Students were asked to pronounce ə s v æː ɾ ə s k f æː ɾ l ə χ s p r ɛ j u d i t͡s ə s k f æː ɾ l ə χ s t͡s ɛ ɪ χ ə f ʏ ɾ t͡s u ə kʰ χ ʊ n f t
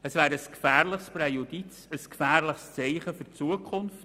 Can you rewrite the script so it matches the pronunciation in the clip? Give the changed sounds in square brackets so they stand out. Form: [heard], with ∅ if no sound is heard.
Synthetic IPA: ə s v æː ɾ ə s k f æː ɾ l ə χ s p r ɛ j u d i t͡s ə s k f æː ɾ l ə χ s t͡s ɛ ɪ χ ə f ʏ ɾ t͡s u ə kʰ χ ʊ n f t